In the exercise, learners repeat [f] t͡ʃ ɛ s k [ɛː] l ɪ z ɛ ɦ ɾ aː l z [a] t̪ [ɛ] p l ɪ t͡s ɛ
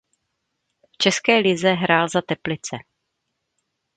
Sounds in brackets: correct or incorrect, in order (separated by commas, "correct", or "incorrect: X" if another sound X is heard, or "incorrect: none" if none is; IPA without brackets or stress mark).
correct, correct, correct, correct